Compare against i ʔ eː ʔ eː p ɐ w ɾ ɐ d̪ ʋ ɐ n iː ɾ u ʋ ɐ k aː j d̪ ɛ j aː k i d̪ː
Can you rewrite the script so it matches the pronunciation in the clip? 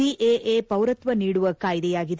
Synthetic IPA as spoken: i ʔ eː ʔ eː p ɐ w ɾ ɐ t̪ ʋ ɐ n iː ɽ u ʋ ɐ k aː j d̪ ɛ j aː ɡ i d̪

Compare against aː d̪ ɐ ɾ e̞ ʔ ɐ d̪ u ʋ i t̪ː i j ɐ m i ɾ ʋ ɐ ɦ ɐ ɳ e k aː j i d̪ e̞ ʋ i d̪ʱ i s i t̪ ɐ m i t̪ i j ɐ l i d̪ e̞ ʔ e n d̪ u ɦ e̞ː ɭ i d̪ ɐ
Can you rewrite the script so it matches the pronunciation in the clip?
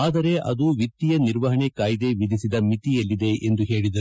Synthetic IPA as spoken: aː d̪ ɐ ɾ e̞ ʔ ɐ d̪ u ʋ i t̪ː i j ɐ n i ɾ ʋ ɐ ɦ ɐ ɳ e k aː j i d̪ e̞ ʋ i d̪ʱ i s i d̪ ɐ m i t̪ i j ɐ lː i d̪ e̞ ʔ e n d̪ u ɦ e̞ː ɭ i d̪ ɐ

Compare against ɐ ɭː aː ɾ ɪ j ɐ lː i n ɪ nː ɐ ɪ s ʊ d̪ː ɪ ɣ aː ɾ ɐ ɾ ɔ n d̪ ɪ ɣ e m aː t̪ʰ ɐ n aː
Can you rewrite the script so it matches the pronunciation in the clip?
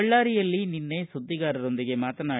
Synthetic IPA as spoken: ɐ ɭː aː ɾ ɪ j ɐ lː i n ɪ nː ɐ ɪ s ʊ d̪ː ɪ ɣ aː ɾ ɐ ɾ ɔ n d̪ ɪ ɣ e m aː t̪ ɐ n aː

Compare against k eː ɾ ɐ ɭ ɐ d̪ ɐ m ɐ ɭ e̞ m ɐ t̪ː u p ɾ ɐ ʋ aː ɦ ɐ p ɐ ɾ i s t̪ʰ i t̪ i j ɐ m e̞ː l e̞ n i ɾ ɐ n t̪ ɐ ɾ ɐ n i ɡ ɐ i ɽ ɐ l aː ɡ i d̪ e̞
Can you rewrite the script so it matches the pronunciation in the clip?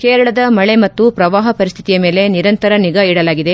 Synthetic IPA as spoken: k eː ɾ ɐ ɭ ɐ d̪ ɐ m ɐ ɭ e̞ m ɐ t̪ː u p ɾ ɐ ʋ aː ɦ ɐ p ɐ ɾ i s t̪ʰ i t̪ i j ɐ m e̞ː l e̞ n i ɾ ɐ n t̪ ɐ ɾ ɐ n i ɡ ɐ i ɽ ɐ l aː ɡ i d̪ e̞

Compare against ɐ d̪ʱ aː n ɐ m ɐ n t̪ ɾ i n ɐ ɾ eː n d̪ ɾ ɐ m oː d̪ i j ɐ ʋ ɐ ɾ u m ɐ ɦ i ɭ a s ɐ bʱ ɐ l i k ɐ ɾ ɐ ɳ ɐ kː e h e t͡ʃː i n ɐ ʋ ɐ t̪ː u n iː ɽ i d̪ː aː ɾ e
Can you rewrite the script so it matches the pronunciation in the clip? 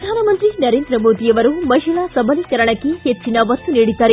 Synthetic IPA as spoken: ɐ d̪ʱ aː n ɐ m ɐ n t̪ ɾ i n ɐ ɾ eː n d̪ ɾ ɐ m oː d̪ i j ɐ ʋ ɐ ɾ u m ɐ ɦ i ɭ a s ɐ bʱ ɐ l i k ɐ ɾ ɐ ɳ ɐ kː e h e t͡ʃː i n ɐ ʋ ɐ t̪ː u n iː ɽ i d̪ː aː ɾ e

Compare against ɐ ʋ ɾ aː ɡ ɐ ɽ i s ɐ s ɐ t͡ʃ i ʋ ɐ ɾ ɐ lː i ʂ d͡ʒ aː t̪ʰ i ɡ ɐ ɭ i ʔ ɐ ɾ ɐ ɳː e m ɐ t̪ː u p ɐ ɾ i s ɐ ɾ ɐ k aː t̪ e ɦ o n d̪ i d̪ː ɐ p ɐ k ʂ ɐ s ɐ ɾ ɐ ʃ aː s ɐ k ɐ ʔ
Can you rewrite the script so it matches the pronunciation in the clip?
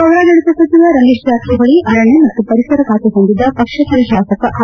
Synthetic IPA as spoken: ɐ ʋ ɾ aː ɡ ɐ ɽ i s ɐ s ɐ t͡ʃ i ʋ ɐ ɾ ɐ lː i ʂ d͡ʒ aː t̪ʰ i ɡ ɐ ɭ i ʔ ɐ ɾ ɐ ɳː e m ɐ t̪ː u p ɐ ɾ i s ɐ ɾ ɐ k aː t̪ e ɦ o n d̪ i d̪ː ɐ p ɐ k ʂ ɐ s ɐ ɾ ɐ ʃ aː s ɐ k ɐ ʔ

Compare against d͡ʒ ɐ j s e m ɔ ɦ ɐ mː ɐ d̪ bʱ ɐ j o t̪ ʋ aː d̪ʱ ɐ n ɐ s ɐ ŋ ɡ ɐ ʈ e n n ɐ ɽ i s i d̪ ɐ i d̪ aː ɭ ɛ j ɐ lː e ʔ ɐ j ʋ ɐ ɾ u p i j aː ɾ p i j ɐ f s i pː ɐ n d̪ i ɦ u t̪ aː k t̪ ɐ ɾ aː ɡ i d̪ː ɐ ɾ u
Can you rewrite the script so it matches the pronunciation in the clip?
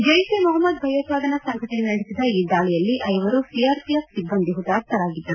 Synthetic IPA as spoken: d͡ʒ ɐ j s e m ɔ ɦ ɐ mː ɐ d̪ bʱ ɐ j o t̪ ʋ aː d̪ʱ ɐ n ɐ s ɐ ŋ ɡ ɐ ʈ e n n ɐ ɽ i s i d̪ ɐ iː d̪ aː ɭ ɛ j ɐ lː i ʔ ɐ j ʋ ɐ ɾ u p i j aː ɾ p i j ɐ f s i bː ɐ n d̪ i ɦ u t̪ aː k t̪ ɐ ɾ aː ɡ i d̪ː ɐ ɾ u

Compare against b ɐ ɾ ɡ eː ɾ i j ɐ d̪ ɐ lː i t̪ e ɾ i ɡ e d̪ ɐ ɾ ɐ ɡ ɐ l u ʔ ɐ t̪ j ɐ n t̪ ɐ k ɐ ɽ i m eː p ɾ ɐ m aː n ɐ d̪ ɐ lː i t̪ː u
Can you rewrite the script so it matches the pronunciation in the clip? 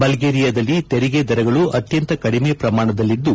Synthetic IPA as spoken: b ɐ l ɡ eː ɾ i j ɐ d̪ ɐ lː i t̪ e ɾ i ɡ e d̪ ɐ ɾ ɐ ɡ ɐ ɭ u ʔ ɐ t̪ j ɐ n t̪ ɐ k ɐ ɽ i m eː p ɾ ɐ m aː ɳ ɐ d̪ ɐ lː i d̪ː u

